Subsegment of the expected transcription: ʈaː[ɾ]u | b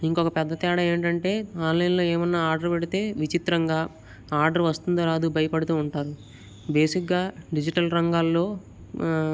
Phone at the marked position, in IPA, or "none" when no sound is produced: ɾ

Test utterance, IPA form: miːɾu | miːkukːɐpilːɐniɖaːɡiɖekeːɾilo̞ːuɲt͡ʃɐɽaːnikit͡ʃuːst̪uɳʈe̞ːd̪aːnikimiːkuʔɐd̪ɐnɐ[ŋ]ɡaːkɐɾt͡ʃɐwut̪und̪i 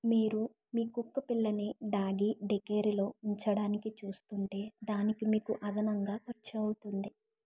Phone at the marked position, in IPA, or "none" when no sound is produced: ŋ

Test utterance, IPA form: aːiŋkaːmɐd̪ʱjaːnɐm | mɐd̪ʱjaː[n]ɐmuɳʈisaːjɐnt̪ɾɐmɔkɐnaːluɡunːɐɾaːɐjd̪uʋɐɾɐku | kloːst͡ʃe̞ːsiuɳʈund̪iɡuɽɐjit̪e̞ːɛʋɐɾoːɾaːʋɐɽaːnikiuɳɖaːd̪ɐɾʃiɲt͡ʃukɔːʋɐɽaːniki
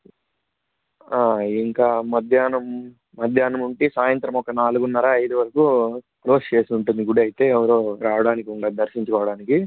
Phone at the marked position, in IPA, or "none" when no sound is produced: n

